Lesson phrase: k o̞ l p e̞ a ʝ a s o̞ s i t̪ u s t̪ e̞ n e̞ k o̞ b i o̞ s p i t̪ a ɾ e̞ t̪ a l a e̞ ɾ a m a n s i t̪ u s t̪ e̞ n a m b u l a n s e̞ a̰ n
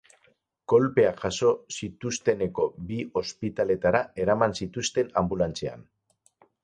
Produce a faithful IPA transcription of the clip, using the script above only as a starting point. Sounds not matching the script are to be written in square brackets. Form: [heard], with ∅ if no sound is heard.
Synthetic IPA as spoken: k o̞ l p e̞ a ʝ a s o̞ s i t̪ u s t̪ e̞ n e̞ k o̞ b i o̞ s p i t̪ a [l] e̞ t̪ a [ɾ] a e̞ ɾ a m a n s i t̪ u s t̪ e̞ n a m b u l a n [t͡s] e̞ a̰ n